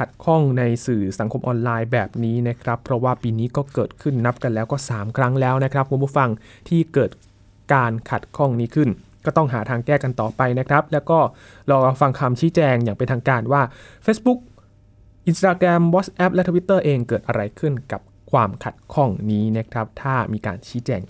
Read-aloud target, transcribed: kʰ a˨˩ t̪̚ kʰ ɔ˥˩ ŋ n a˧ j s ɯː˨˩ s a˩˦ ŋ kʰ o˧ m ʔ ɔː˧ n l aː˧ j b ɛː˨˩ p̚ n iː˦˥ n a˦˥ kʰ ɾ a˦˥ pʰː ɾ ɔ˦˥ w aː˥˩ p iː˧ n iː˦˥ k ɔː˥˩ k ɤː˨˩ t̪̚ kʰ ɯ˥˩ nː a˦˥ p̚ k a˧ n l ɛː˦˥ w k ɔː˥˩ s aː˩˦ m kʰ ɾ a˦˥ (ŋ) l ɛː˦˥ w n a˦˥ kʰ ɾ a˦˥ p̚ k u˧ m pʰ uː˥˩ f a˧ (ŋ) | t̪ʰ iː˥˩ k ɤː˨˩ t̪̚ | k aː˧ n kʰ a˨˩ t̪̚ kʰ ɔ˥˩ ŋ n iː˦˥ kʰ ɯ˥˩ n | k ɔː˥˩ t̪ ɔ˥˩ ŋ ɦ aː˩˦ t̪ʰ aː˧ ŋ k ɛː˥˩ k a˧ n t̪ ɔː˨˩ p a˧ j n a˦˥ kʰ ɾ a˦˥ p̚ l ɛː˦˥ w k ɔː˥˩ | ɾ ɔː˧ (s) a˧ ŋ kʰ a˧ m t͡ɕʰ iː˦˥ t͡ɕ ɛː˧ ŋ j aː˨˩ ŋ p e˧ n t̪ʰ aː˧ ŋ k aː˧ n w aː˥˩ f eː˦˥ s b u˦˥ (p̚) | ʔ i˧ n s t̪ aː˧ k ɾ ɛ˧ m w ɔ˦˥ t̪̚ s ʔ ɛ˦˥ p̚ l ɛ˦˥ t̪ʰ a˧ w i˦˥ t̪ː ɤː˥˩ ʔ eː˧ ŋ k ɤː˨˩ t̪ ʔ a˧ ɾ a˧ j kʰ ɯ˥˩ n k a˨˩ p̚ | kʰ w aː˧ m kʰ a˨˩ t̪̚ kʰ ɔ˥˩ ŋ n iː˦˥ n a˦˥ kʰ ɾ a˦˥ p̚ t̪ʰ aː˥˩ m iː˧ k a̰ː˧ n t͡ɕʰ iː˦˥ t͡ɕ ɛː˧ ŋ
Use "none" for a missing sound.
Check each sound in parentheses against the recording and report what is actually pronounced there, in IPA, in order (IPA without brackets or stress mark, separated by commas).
ŋ, ŋ, f, k̚